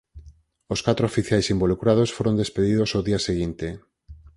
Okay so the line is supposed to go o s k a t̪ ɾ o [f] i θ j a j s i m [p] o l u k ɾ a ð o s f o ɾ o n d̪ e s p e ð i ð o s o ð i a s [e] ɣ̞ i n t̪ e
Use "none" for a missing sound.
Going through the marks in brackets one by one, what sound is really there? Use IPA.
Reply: f, b, e

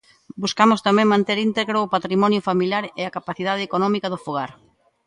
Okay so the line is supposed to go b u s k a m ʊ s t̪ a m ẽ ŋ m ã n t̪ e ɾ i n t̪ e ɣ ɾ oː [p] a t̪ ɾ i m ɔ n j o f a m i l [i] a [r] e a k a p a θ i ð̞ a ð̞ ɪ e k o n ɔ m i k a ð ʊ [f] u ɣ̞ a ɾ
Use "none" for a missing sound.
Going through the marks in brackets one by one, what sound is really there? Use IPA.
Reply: p, j, ɾ, f

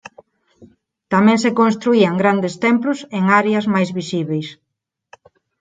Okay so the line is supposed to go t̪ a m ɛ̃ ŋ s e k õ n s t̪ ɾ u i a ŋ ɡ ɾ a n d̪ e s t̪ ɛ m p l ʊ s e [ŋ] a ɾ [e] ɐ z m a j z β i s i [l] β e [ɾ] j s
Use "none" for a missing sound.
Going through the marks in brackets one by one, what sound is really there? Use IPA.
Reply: ŋ, e, none, none

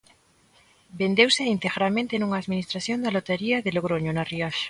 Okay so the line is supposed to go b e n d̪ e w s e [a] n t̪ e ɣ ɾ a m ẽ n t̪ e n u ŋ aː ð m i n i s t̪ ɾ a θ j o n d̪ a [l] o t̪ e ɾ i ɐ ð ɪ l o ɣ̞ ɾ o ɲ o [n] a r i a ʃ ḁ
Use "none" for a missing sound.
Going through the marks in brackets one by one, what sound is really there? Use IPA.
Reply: i, l, n

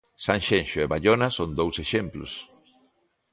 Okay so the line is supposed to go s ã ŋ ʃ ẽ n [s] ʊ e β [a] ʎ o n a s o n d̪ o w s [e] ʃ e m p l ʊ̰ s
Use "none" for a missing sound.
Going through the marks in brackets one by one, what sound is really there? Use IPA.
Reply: ʃ, a, e

